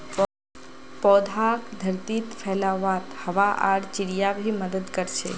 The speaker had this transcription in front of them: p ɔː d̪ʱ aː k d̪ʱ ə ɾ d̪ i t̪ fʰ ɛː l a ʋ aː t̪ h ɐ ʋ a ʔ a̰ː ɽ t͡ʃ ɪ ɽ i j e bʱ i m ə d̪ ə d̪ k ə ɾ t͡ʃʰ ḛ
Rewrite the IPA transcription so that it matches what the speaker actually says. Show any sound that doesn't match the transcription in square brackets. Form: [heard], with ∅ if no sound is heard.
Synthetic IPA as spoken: p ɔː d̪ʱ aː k d̪ʱ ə ɾ [t̪] i t̪ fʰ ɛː l a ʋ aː t̪ h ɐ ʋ a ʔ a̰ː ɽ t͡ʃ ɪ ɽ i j [a] bʱ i m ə d̪ ə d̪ k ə ɾ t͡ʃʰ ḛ